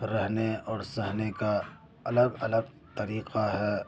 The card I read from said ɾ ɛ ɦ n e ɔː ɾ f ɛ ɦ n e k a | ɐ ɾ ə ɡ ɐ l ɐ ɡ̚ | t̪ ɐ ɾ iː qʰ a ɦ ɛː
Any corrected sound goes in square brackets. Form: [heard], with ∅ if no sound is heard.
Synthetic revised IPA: ɾ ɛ ɦ n e ɔː ɾ [s] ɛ ɦ n e k a | ɐ [l] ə ɡ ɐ l [ə] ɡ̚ | t̪ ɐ ɾ iː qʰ a ɦ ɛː